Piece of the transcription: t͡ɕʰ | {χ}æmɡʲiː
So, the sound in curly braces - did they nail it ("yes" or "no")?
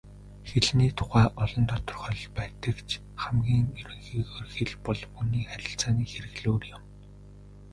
yes